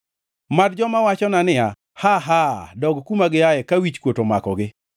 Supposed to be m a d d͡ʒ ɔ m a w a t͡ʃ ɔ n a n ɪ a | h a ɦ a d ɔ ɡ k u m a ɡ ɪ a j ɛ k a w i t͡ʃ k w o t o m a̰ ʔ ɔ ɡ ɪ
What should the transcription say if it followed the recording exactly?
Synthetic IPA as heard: m a d d͡ʒ ɔ m a w a t͡ʃ ɔ n a n ɪ a | h a ɦ a d ɔ ɡ k u m a ɡ ɪ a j ɛ k a w i t͡ʃ k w o t o m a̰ k ɔ ɡ ɪ